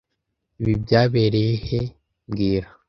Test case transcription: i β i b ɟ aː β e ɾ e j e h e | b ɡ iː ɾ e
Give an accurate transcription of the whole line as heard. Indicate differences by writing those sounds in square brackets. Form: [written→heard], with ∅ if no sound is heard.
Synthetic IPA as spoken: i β i b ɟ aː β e ɾ e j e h e | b ɡ iː ɾ [e→a]